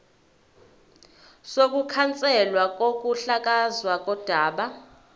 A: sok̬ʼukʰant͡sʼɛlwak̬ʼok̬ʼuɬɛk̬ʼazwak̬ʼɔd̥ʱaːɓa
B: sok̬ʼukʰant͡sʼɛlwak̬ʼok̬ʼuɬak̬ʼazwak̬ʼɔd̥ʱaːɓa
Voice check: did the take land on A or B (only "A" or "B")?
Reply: B